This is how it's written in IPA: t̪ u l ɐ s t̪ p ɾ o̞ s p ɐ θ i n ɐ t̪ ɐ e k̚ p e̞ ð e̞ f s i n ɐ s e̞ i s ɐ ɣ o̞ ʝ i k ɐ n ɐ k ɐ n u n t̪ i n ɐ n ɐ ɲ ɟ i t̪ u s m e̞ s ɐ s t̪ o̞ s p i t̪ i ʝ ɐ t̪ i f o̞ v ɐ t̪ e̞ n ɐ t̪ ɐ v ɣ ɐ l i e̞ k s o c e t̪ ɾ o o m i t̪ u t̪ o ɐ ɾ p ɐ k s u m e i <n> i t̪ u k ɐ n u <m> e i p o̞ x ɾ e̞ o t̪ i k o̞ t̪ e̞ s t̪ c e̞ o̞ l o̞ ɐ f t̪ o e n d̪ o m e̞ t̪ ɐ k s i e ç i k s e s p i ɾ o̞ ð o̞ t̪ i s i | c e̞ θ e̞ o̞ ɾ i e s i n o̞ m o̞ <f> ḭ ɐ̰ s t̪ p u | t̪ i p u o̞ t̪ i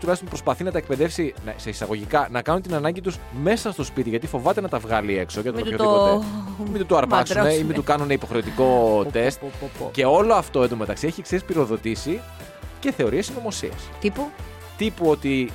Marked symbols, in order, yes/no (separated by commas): no, no, no